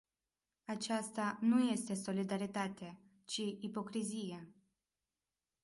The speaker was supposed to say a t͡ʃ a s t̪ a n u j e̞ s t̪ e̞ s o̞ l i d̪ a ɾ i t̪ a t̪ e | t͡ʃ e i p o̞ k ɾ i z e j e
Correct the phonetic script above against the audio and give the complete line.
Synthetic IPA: a t͡ʃ a s t̪ a n u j e̞ s t̪ e̞ s o̞ l i d̪ a ɾ i t̪ a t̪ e | t͡ʃ i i p o̞ k ɾ i z i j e